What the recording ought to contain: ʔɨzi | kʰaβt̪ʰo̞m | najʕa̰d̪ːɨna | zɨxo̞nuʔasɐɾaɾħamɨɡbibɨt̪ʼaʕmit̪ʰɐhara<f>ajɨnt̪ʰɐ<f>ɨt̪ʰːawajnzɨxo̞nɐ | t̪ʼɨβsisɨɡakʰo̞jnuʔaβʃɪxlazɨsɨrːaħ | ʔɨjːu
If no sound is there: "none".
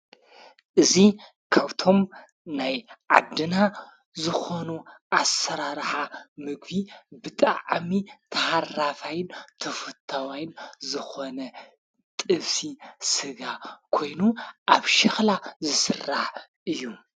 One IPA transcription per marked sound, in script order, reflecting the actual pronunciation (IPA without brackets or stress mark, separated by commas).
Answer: f, f